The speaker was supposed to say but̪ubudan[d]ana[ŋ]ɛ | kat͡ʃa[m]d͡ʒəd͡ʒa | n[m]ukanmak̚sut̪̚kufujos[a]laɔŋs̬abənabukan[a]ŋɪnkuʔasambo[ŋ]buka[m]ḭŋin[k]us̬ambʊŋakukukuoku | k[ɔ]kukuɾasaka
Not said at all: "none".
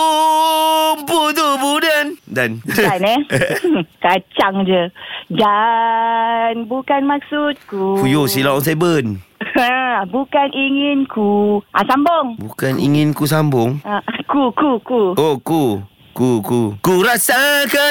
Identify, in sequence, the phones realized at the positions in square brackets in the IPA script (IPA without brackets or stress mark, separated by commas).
d, n, ŋ, b, i, i, ŋ, n, k, u